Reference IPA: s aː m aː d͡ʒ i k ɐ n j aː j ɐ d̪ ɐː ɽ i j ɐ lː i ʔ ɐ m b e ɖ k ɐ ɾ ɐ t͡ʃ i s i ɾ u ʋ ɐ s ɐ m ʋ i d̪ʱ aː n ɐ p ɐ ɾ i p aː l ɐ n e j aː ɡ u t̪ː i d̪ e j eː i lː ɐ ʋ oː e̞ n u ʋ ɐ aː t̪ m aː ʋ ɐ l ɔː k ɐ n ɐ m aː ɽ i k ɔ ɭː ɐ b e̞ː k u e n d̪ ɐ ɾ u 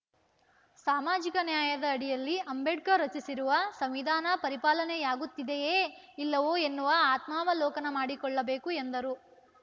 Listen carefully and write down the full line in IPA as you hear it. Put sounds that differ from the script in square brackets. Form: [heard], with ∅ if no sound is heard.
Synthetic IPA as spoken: s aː m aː d͡ʒ i k ɐ n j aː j ɐ d̪ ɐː ɽ i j ɐ lː i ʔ ɐ m b e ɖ k ɐ ɾ ɐ t͡ʃ i s i ɾ u ʋ ɐ s ɐ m ʋ i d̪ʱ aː n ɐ p ɐ ɾ i p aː l ɐ n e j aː ɡ u t̪ː i d̪ e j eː i lː ɐ ʋ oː e̞ [nː] u ʋ ɐ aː t̪ m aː ʋ ɐ l ɔː k ɐ n ɐ m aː ɽ i k ɔ ɭː ɐ b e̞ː k u e n d̪ ɐ ɾ u

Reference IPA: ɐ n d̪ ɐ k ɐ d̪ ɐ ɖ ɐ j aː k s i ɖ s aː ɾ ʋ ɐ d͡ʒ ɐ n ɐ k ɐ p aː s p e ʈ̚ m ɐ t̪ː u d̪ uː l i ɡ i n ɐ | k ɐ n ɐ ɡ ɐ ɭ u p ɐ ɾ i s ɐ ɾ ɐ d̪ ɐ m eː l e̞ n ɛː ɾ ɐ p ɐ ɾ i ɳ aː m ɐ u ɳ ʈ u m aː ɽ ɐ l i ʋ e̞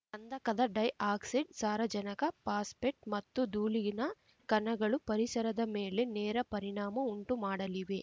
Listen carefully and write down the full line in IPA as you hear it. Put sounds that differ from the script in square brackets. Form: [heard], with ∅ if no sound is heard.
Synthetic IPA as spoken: ɐ n d̪ ɐ k ɐ d̪ ɐ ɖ ɐ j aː k s i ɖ s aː ɾ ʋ ɐ d͡ʒ ɐ n ɐ k ɐ p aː s p e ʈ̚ m ɐ t̪ː u d̪ uː l i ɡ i n ɐ | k ɐ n ɐ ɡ ɐ ɭ u p ɐ ɾ i s ɐ ɾ ɐ d̪ ɐ m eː l e̞ n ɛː ɾ ɐ p ɐ ɾ i ɳ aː m ɐ u ɳ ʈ u m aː ɽ ɐ l i ʋ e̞

